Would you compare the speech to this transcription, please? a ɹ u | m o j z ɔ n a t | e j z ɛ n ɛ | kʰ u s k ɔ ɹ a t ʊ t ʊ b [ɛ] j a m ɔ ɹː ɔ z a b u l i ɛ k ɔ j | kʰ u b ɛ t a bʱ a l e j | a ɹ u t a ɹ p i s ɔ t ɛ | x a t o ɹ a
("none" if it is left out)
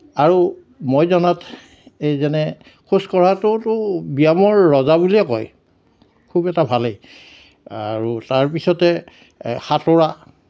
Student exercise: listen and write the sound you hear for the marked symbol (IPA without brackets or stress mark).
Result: i